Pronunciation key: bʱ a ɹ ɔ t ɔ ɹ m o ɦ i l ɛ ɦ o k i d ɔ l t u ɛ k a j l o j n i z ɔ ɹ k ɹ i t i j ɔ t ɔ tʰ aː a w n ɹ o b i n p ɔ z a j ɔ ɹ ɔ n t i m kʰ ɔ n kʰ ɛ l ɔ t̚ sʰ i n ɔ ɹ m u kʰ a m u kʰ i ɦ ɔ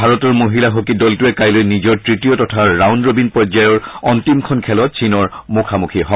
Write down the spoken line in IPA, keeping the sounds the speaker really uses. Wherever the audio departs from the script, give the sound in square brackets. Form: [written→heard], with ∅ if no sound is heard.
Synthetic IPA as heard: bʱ a ɹ ɔ t ɔ ɹ m o ɦ i l [ɛ→a] ɦ o k i d ɔ l t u ɛ k a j l o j n i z ɔ ɹ [k→t] ɹ i t i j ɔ t ɔ tʰ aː a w n ɹ o b i n p ɔ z a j ɔ ɹ ɔ n t i m kʰ ɔ n kʰ ɛ l ɔ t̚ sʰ i n ɔ ɹ m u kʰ a m u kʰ i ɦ ɔ